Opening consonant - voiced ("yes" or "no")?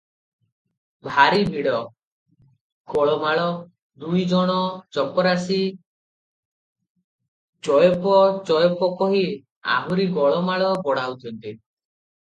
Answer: yes